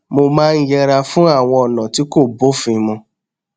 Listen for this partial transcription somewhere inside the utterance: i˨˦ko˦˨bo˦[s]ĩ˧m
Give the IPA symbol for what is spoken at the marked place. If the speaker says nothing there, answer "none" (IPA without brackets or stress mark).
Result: f